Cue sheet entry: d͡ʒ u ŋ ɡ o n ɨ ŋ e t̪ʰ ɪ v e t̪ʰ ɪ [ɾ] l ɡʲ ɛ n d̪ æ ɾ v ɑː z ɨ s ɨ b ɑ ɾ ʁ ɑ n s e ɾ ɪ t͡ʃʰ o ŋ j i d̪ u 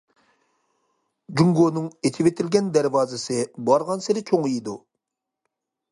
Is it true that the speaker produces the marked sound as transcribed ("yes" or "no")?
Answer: no